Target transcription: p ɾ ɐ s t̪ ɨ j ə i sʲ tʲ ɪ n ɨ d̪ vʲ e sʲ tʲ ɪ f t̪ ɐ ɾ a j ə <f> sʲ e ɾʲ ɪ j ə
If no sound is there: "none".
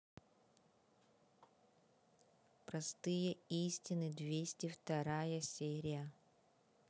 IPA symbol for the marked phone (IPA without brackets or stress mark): none